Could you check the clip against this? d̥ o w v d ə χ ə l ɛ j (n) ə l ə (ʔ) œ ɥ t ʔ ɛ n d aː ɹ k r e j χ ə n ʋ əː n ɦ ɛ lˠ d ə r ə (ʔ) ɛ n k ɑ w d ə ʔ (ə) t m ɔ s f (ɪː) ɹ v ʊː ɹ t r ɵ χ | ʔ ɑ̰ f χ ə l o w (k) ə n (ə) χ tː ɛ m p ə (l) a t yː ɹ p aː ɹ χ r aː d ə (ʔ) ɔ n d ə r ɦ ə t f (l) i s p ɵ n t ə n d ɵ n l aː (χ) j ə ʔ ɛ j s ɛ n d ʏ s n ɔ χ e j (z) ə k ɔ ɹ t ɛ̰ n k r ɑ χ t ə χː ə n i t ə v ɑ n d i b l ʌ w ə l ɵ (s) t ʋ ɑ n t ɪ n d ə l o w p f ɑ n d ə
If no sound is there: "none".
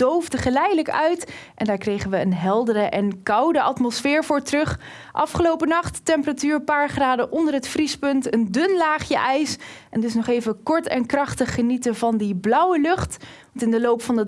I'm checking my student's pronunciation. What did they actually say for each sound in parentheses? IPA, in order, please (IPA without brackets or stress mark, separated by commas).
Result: d, k, ʔ, ɑ, ɪː, p, ɑ, r, ʔ, r, χ, v, χ